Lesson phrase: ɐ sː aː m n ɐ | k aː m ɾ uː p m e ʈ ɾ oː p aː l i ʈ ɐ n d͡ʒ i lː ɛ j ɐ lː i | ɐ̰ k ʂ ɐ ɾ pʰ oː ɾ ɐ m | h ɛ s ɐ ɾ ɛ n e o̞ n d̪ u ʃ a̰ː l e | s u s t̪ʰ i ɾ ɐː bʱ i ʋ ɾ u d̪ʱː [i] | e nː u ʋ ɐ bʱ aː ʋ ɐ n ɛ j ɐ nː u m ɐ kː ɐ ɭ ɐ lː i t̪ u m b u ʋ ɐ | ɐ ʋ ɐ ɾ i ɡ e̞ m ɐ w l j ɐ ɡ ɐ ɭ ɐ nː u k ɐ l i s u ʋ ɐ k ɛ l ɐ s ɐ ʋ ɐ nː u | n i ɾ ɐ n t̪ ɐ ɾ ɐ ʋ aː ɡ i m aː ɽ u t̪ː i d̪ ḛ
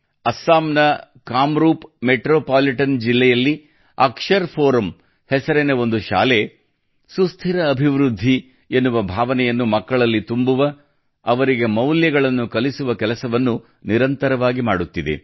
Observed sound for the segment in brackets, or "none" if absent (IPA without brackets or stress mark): i